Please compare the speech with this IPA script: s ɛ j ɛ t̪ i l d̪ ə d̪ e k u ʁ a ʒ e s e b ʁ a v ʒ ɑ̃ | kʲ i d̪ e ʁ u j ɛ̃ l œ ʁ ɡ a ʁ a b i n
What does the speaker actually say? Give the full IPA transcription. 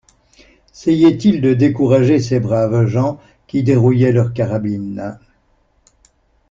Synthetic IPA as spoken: s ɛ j ɛ t̪ i l d̪ ə d̪ e k u ʁ a ʒ e s e b ʁ a v ʒ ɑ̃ | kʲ i d̪ e ʁ u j ɛ l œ ʁ k a ʁ a b i n